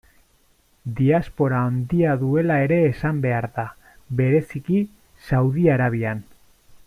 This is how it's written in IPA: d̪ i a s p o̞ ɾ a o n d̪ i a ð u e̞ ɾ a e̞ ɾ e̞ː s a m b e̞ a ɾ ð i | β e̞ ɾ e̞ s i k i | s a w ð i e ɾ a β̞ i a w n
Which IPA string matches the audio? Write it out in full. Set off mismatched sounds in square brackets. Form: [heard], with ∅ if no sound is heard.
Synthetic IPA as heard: d̪ i a s p o̞ ɾ a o n d̪ i a ð u e̞ [l] a e̞ ɾ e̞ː s a m b e̞ a ɾ ð [a] | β e̞ ɾ e̞ s i k i | s a w ð i [a] ɾ a β̞ i a [∅] n

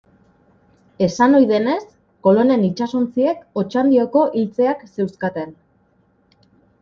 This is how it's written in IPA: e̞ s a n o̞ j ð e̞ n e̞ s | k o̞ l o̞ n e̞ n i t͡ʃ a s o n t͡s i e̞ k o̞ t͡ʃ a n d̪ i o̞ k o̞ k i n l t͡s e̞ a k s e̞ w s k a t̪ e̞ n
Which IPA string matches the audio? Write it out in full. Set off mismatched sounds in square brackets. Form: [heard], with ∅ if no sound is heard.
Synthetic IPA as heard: e̞ s a n o̞ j ð e̞ n e̞ s | k o̞ l o̞ n e̞ n i t͡ʃ a s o n t͡s i e̞ k o̞ t͡ʃ a n d̪ i o̞ k o̞ [ʔ] i [∅] l t͡s e̞ a k s e̞ w s k a t̪ e̞ n

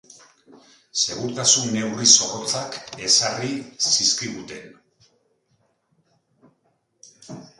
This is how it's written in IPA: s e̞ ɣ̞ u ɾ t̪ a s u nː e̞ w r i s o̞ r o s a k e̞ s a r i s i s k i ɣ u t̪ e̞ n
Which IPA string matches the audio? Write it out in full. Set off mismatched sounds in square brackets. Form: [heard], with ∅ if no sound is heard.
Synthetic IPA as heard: s e̞ ɣ̞ u ɾ t̪ a s u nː e̞ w r i s o̞ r o [t͡s] a k e̞ s a r i s i s k i ɣ u t̪ e̞ n

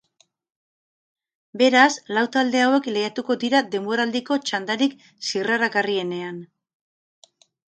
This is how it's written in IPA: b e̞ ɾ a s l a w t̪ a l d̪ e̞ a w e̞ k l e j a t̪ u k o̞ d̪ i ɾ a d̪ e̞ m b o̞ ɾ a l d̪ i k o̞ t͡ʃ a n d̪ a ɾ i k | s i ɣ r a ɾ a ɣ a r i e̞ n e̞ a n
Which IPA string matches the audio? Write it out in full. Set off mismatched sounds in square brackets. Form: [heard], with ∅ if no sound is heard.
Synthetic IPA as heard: b e̞ ɾ a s l a w t̪ a l d̪ e̞ a w e̞ k l e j a t̪ u k o̞ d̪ i ɾ a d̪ e̞ m b o̞ ɾ a l d̪ i k o̞ t͡ʃ a n d̪ a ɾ i k | s i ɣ r a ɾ a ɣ a r i e̞ n e̞ a n

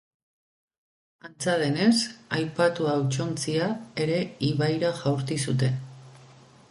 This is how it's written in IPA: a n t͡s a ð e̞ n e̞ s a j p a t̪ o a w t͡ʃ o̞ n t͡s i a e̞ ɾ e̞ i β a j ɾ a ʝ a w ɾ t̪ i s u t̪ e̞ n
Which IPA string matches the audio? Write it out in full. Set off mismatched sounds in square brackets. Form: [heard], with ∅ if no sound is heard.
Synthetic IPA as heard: a n t͡s a ð e̞ n e̞ s a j p a t̪ [u] a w t͡ʃ o̞ n t͡s i a e̞ ɾ e̞ i β a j ɾ a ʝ a w ɾ t̪ i s u t̪ e̞ n

